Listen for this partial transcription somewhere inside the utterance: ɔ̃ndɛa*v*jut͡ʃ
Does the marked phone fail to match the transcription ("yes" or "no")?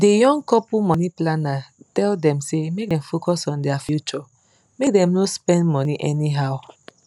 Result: yes